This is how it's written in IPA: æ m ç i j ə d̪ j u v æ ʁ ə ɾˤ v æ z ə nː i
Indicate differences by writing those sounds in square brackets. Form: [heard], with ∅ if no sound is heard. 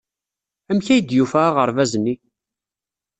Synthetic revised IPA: æ m ç [æ] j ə d̪ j u [f] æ ʁ ə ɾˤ v æ z ə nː i